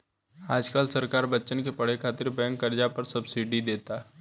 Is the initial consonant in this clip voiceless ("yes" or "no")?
no